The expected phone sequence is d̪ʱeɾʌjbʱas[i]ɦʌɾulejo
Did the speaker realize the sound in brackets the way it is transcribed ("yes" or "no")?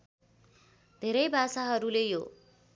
no